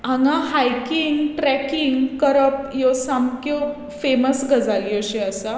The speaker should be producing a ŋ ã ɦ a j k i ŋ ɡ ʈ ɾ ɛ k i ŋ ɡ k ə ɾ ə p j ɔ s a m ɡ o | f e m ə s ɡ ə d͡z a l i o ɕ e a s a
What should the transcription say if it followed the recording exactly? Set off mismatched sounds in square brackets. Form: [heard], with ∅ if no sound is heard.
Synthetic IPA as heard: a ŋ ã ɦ a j k i ŋ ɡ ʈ ɾ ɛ k i ŋ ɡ k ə ɾ ə p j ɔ s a m [k] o | f e m ə s ɡ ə d͡z a l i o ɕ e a s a